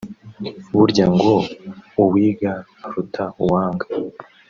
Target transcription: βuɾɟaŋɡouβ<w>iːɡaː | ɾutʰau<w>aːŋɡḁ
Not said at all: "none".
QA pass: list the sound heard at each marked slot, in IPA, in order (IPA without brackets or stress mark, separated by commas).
w, w